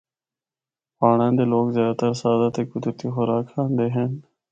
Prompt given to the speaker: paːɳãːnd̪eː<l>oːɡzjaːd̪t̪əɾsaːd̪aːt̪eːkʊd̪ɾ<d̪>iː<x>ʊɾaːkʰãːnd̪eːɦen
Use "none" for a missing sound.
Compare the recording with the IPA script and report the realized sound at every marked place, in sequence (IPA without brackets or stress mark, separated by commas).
l, t̪, x